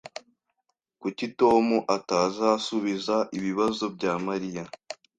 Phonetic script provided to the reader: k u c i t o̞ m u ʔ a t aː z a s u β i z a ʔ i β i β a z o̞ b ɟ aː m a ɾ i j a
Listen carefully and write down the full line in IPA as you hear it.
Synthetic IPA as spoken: k u c i t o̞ m u ʔ a t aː z a s u β i z a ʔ i β i β a z o̞ b ɟ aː m a ɾ i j a